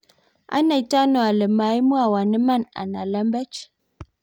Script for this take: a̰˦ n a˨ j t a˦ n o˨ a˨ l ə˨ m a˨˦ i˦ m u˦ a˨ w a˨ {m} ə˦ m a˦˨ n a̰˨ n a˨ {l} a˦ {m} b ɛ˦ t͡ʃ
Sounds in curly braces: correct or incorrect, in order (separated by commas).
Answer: incorrect, correct, correct